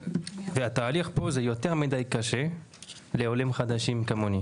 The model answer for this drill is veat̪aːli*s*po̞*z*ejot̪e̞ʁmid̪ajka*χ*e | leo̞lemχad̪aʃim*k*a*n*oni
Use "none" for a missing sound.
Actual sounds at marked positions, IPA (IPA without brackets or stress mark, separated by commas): χ, z, ʃ, k, m